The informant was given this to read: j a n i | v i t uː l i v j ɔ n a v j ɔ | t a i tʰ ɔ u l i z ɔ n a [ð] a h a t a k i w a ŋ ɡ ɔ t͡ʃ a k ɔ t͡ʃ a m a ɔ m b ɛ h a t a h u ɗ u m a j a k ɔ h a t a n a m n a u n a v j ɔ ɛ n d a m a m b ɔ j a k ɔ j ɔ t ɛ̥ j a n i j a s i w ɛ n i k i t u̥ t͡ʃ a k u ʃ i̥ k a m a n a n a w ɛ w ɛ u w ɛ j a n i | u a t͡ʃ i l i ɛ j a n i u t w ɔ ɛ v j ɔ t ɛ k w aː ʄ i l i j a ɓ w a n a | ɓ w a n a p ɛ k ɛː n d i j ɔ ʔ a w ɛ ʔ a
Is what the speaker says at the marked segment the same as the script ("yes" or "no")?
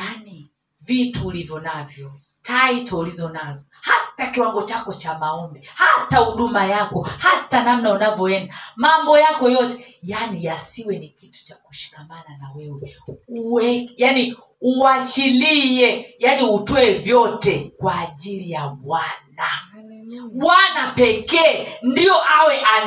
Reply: no